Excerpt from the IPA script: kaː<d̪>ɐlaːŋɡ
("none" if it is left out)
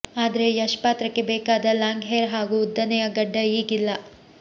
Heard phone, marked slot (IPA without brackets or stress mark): d̪